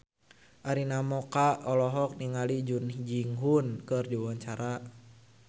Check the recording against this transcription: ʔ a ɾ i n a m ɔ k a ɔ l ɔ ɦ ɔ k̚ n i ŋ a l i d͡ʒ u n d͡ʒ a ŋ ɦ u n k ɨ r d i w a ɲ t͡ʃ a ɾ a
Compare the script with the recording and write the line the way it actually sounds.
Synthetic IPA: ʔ a ɾ i n a m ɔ k a ɔ l ɔ ɦ ɔ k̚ n i ŋ a l i d͡ʒ u n d͡ʒ i ŋ ɦ u n k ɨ r d i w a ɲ t͡ʃ a ɾ a